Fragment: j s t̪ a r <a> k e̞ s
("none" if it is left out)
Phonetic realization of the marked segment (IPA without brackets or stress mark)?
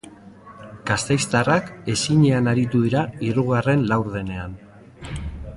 a